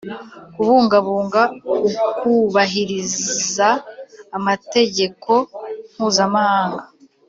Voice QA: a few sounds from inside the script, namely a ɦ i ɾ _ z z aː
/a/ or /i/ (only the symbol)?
i